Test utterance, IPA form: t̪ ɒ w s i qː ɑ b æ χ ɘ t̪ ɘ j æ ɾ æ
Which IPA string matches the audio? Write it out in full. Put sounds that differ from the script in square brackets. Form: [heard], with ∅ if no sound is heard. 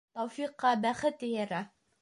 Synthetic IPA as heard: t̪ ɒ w [f] i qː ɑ b æ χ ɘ t̪ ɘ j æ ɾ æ